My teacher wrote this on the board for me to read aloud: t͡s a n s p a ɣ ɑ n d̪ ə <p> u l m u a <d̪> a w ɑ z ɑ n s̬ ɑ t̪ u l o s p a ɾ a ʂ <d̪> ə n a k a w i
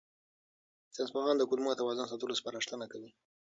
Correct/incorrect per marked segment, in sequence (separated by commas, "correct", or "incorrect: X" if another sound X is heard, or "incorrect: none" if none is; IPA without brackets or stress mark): incorrect: k, incorrect: t̪, incorrect: t̪